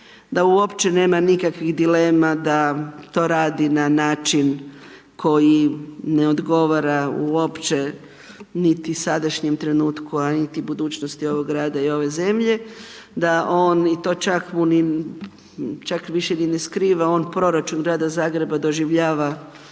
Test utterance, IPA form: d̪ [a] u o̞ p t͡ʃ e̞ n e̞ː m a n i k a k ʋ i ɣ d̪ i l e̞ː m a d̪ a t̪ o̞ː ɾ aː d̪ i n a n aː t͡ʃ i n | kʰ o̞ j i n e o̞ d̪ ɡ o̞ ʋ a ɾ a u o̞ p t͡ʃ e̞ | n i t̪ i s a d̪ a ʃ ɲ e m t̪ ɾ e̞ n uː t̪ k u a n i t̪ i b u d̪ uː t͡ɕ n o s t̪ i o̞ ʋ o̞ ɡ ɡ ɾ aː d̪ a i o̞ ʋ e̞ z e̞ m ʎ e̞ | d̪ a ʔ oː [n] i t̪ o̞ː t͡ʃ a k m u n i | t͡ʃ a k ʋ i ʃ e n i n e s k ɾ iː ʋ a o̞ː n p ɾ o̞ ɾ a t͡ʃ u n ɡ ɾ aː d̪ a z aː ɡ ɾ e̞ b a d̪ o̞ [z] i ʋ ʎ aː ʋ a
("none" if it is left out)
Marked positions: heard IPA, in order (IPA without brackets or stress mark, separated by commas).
a, n, ʒ